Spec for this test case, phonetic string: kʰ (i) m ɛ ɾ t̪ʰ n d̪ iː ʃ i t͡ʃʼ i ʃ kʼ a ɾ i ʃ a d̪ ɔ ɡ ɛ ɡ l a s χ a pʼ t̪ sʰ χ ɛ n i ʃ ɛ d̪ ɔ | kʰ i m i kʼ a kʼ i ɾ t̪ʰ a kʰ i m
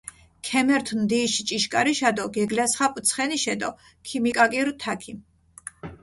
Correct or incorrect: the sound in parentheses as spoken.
incorrect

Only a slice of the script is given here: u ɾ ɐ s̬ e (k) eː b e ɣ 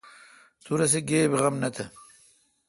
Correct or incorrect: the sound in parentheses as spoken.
incorrect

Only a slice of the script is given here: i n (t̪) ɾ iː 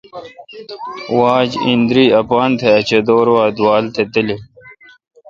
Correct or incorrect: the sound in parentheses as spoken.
incorrect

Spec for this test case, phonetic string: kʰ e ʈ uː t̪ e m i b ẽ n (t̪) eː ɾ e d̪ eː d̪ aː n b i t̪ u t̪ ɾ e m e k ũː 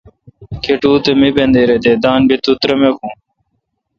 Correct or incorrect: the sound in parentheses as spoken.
incorrect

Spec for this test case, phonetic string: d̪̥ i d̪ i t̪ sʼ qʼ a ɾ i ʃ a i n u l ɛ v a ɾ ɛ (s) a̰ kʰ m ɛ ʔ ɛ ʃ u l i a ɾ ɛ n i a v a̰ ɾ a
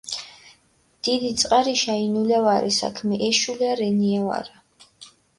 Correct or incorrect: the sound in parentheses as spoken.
correct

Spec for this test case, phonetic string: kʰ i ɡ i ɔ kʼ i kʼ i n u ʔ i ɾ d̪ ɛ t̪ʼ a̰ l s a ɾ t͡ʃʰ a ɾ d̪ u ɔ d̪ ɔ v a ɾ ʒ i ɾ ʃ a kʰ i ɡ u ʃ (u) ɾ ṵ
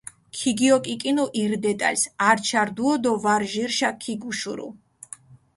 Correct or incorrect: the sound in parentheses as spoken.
correct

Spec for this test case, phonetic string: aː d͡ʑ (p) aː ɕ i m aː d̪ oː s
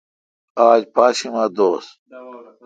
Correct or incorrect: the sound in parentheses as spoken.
correct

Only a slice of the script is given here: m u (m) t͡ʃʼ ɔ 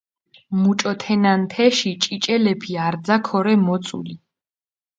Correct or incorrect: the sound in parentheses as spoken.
incorrect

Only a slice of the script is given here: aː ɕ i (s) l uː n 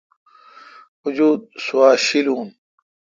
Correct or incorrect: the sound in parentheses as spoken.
incorrect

